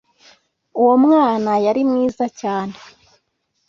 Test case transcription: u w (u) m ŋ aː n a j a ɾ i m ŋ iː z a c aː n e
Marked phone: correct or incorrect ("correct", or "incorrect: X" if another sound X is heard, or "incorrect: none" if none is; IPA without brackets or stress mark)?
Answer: incorrect: o